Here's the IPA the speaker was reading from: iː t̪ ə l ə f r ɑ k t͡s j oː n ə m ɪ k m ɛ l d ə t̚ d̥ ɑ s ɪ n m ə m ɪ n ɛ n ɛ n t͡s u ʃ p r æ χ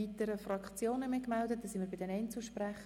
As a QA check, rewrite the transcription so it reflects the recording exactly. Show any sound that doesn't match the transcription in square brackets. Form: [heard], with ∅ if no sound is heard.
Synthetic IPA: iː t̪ ə [ɾ] ə f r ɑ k t͡s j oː n ə m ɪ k m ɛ l d ə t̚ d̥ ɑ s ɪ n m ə [b] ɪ [d] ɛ n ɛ n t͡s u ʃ p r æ χ